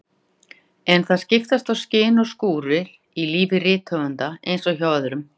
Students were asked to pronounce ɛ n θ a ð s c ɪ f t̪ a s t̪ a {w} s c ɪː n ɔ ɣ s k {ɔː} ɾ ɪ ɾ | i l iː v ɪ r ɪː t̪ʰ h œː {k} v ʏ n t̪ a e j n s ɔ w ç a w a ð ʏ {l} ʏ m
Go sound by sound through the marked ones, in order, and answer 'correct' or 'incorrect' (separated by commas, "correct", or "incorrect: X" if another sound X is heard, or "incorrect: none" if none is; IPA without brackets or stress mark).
correct, incorrect: uː, incorrect: none, incorrect: ɾ